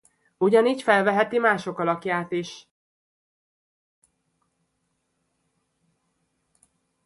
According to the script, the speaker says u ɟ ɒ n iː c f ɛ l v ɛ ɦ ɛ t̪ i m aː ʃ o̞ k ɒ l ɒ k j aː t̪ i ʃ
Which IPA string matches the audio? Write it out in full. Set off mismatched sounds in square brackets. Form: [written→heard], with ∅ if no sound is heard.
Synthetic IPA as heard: u ɟ ɒ n iː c f ɛ l v ɛ ɦ ɛ t̪ i m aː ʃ o̞ k ɒ l ɒ k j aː t̪ i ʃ

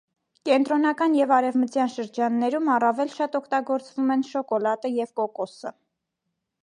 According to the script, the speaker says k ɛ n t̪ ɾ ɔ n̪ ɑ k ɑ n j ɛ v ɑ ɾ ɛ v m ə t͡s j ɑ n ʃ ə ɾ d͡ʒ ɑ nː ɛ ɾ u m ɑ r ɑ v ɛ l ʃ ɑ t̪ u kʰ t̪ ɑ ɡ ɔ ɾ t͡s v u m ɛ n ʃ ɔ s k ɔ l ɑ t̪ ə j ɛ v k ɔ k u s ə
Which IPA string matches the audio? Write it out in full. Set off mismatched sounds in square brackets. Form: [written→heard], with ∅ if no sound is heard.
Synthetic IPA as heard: k ɛ n t̪ ɾ ɔ n̪ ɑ k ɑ n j ɛ v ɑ ɾ ɛ v m ə t͡s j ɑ n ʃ ə ɾ d͡ʒ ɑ nː ɛ ɾ u m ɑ r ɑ v ɛ l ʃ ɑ t̪ [u→ɔ] kʰ t̪ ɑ ɡ ɔ ɾ t͡s v u m ɛ n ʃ ɔ [s→∅] k ɔ l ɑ t̪ ə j ɛ v k ɔ k [u→ɔ] s ə

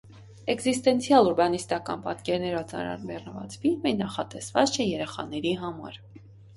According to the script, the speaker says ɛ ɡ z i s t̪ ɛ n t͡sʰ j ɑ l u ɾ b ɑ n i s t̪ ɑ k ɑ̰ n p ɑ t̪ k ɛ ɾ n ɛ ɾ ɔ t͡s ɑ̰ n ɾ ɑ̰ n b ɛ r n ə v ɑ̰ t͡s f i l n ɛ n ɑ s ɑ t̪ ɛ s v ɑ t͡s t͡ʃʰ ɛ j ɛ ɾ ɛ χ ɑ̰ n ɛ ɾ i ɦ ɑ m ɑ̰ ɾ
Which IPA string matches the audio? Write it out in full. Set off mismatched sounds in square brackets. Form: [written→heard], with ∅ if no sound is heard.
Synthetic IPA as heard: ɛ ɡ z i s t̪ ɛ n t͡sʰ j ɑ l u ɾ b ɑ n i s t̪ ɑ k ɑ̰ n p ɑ t̪ k ɛ ɾ n ɛ ɾ ɔ t͡s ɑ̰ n ɾ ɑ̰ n b ɛ r n ə v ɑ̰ t͡s f i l [n→m] ɛ n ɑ [s→χ] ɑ t̪ ɛ s v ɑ t͡s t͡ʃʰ ɛ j ɛ ɾ ɛ χ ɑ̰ n ɛ ɾ i ɦ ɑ m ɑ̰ ɾ

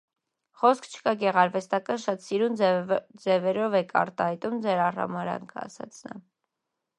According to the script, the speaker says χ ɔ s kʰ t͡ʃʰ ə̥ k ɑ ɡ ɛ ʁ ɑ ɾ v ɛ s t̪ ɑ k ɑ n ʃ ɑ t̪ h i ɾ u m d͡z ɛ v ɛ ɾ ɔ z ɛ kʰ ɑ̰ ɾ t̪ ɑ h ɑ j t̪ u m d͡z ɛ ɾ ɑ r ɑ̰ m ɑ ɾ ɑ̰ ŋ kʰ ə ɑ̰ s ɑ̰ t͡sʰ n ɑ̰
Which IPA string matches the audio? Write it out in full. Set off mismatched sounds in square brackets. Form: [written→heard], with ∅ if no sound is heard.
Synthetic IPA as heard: χ ɔ s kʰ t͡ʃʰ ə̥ k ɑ ɡ ɛ ʁ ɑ ɾ v ɛ s t̪ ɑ k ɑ n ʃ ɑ t̪ [h→s] i ɾ u [m→n] d͡z ɛ v ɛ ɾ ɔ [z→v] ɛ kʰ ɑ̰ ɾ t̪ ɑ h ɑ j t̪ u m d͡z ɛ ɾ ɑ r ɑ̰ m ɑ ɾ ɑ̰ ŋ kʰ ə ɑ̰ s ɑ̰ t͡sʰ n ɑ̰

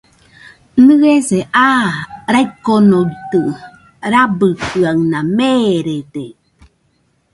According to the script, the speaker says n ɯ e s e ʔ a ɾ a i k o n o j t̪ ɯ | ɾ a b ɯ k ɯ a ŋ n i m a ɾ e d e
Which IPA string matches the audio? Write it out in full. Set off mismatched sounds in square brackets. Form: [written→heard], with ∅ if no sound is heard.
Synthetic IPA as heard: n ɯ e s e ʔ a ɾ a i k o n o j t̪ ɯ | ɾ a b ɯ k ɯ a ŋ n [i→a] m [a→e] ɾ e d e

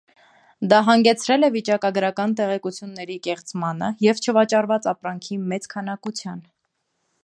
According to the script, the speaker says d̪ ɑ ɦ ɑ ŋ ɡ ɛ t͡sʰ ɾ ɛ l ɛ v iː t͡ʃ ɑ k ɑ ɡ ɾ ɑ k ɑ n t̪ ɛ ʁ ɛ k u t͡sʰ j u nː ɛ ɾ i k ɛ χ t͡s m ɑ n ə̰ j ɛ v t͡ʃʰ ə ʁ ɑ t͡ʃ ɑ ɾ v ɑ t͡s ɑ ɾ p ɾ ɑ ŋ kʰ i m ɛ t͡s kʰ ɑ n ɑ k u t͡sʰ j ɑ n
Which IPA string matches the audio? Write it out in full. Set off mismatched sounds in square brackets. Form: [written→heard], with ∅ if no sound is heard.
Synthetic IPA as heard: d̪ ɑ ɦ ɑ ŋ ɡ ɛ t͡sʰ ɾ ɛ l ɛ v [iː→i] t͡ʃ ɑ k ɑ ɡ ɾ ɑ k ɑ n t̪ ɛ ʁ ɛ k u t͡sʰ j u nː ɛ ɾ i k ɛ χ t͡s m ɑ n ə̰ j ɛ v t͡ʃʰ ə [ʁ→v] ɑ t͡ʃ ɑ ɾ v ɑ t͡s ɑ [ɾ→∅] p ɾ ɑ ŋ kʰ i m ɛ t͡s kʰ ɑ n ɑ k u t͡sʰ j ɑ n

